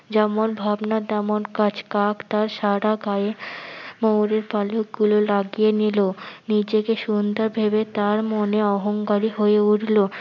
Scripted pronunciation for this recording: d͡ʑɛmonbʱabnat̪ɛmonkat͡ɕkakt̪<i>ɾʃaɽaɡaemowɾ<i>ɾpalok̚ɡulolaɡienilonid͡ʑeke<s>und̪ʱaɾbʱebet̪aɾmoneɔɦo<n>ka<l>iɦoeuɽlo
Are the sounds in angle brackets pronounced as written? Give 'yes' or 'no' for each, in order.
no, no, no, no, no

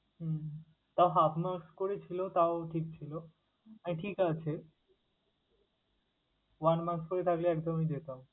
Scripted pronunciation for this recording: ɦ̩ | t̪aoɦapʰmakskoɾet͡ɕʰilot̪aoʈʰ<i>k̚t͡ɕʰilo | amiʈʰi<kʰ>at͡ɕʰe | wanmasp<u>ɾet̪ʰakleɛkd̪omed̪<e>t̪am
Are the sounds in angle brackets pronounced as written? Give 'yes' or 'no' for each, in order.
yes, no, no, yes

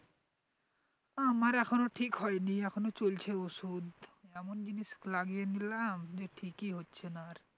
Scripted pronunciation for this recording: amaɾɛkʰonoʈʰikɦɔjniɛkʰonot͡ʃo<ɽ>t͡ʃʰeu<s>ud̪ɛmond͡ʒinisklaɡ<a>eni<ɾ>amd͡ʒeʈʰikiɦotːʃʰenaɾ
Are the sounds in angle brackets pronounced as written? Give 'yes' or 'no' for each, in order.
no, yes, no, no

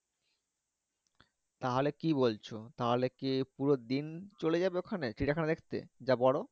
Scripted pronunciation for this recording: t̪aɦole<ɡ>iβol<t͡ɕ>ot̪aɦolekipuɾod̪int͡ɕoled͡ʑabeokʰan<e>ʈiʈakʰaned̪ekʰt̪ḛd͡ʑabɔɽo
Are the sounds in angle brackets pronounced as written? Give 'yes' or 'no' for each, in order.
no, no, yes

